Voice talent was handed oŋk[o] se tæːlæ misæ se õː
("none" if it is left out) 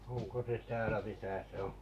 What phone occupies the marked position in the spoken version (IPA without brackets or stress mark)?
o